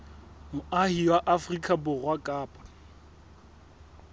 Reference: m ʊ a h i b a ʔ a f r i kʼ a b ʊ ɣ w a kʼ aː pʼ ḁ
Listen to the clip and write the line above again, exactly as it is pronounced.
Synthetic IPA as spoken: m ʊ a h i w a ʔ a f r i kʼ a b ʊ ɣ w a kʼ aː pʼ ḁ